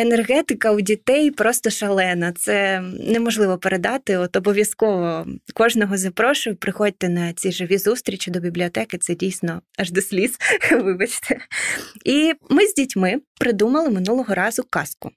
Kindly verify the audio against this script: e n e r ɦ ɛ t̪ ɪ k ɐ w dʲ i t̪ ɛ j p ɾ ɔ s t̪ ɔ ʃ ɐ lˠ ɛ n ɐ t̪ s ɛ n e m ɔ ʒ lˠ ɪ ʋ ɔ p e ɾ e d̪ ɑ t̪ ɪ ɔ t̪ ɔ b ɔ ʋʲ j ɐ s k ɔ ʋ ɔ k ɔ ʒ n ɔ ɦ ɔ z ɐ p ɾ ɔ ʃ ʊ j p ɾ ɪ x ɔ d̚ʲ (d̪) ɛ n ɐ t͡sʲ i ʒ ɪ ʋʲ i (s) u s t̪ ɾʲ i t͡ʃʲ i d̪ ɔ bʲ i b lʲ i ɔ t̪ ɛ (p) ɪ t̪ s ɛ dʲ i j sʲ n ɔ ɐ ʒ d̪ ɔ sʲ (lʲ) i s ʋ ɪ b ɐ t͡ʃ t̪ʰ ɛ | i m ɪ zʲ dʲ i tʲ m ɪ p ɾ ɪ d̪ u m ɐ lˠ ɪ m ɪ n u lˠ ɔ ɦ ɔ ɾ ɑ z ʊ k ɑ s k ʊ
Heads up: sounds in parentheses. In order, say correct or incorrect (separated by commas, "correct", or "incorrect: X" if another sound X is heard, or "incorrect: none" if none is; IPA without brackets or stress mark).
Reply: incorrect: t̪, incorrect: z, incorrect: k, correct